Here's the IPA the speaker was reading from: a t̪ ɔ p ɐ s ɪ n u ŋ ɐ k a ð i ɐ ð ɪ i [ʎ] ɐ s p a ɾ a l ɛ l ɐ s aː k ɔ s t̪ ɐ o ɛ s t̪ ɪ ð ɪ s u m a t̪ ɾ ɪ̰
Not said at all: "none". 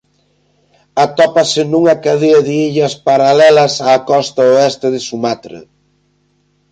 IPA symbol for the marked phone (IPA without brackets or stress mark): ʎ